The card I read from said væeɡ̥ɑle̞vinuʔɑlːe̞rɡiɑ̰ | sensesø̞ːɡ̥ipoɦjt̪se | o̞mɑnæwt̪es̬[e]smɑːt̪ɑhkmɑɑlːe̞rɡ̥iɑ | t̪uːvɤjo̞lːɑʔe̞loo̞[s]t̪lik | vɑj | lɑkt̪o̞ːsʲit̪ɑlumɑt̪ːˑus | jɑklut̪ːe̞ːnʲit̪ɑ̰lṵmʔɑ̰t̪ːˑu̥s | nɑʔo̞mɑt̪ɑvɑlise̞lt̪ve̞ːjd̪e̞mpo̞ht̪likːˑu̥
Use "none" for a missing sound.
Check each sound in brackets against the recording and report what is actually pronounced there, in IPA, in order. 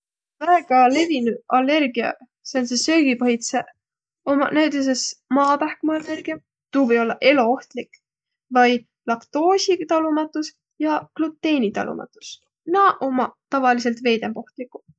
e, h

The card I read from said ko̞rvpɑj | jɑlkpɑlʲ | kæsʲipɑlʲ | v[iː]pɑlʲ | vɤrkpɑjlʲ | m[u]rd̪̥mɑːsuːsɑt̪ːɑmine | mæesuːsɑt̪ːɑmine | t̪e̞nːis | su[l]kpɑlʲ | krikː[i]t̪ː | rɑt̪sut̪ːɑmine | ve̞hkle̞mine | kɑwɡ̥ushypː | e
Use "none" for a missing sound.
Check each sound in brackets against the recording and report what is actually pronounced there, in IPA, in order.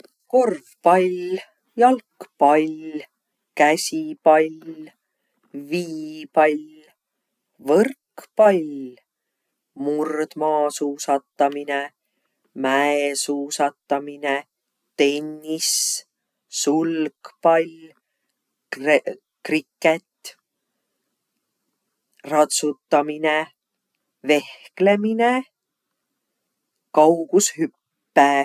iː, u, l, e

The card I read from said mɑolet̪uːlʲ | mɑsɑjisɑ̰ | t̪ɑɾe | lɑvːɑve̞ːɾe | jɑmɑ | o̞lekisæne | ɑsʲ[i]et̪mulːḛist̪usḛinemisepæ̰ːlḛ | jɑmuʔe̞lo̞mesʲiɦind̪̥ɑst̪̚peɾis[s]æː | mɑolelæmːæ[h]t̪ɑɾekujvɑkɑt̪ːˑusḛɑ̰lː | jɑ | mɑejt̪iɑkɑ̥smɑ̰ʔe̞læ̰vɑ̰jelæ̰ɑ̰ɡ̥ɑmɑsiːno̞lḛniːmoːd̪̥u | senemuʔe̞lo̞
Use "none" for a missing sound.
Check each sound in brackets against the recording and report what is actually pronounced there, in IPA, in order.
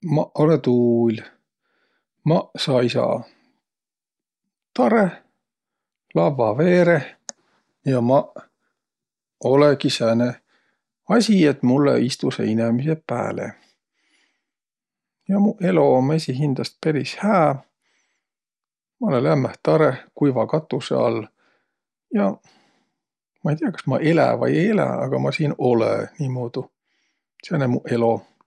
i, h, h

